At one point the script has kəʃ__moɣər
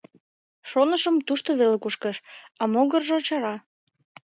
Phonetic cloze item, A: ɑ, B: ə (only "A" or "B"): A